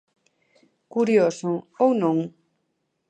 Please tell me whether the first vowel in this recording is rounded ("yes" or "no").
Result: yes